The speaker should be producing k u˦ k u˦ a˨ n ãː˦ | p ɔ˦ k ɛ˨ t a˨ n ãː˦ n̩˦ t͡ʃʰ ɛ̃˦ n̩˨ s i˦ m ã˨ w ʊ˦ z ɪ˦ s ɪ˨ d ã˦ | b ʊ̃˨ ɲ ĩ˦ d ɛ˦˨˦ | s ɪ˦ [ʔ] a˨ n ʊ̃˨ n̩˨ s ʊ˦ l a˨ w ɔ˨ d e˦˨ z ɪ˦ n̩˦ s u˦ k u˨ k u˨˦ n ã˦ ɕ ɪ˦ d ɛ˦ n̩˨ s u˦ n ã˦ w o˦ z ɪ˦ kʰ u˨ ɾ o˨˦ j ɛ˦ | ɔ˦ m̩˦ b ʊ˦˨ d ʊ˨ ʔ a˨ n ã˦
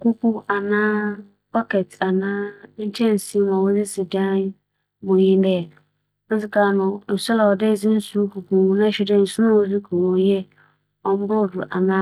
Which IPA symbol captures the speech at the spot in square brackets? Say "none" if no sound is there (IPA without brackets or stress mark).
k